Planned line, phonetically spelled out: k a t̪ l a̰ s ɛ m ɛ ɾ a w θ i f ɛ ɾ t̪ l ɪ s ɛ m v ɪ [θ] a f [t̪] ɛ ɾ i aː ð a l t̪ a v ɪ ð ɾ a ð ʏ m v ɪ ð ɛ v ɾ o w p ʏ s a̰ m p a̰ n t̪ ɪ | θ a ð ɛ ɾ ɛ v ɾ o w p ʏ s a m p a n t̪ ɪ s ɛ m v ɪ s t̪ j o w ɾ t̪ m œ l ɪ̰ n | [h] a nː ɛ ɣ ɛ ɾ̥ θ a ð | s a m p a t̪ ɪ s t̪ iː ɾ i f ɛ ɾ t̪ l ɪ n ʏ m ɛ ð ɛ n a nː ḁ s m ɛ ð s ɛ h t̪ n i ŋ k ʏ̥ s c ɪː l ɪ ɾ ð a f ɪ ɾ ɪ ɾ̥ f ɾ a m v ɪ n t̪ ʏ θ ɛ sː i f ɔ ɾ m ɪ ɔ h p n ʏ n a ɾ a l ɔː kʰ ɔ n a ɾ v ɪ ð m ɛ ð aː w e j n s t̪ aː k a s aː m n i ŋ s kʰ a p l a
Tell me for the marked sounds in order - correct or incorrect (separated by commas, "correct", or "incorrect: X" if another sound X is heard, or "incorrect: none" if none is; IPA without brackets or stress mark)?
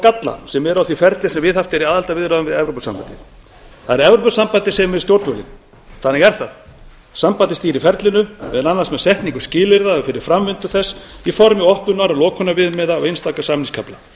incorrect: ð, correct, incorrect: θ